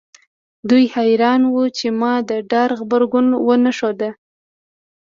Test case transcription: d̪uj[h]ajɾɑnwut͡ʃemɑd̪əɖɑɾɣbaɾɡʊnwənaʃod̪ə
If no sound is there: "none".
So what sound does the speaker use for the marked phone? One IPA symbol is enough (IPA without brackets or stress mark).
h